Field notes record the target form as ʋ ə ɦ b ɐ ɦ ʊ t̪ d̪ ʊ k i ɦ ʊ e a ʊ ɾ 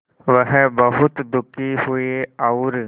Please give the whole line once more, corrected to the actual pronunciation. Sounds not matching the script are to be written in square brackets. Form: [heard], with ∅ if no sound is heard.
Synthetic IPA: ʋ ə ɦ b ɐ ɦ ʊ t̪ d̪ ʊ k i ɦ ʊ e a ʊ ɾ